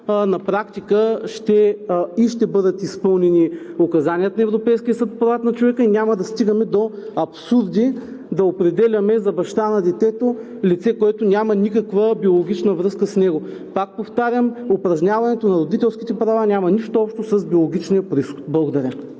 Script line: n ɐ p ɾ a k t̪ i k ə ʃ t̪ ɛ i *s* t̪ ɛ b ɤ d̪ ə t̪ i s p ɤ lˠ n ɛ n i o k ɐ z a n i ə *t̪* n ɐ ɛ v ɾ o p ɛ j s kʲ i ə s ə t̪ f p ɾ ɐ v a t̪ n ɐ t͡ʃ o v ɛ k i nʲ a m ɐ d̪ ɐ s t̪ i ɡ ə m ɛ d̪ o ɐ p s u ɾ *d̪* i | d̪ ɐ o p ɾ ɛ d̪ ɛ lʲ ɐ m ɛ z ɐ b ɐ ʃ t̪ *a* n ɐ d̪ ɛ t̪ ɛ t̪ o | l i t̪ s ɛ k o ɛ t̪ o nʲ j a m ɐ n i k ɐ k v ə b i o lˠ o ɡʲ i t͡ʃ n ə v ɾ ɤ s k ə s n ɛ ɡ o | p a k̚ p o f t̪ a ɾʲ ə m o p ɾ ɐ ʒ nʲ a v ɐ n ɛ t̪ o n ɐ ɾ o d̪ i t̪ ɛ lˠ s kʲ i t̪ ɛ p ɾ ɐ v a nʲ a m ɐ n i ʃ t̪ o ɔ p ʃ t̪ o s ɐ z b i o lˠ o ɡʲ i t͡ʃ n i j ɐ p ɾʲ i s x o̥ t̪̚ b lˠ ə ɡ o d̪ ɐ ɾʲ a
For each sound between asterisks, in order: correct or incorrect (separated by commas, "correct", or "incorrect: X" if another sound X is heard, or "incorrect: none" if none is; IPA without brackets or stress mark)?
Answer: incorrect: ʃ, correct, correct, correct